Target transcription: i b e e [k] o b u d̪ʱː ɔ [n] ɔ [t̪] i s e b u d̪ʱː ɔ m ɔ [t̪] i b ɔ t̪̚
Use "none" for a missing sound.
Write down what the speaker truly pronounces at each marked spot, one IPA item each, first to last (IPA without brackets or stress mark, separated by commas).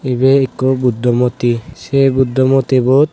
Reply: k, m, t̪, t̪